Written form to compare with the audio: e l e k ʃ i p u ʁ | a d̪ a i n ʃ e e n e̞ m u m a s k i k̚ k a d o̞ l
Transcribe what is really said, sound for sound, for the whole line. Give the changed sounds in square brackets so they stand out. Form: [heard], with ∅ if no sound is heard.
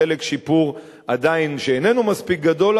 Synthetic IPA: e l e k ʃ i p u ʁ | a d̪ a i n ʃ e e n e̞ [n] u m a s [p] i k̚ [ɡ] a d o̞ l